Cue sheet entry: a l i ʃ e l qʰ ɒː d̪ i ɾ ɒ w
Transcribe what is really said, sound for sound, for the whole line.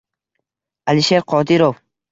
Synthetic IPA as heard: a l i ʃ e ɾ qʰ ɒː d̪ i ɾ o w